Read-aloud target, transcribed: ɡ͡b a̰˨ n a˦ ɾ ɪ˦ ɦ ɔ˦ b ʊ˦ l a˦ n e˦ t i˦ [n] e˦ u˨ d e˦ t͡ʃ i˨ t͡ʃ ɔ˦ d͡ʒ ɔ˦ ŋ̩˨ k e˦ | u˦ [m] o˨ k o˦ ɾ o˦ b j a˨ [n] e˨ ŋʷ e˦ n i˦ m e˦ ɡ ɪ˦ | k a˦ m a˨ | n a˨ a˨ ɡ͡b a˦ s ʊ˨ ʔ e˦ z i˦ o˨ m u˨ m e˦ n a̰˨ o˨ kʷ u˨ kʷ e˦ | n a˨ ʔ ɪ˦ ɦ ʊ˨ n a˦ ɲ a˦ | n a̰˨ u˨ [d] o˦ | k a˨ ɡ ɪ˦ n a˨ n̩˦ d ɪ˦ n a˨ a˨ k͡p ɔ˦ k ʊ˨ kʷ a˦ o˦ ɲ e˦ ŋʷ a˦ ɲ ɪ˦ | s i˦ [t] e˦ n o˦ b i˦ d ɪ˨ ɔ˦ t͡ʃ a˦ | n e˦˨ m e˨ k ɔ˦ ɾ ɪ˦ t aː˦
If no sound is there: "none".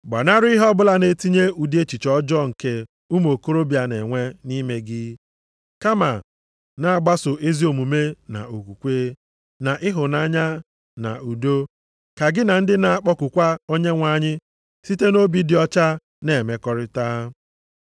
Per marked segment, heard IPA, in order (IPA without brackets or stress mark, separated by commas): ɲ, m, n, d, t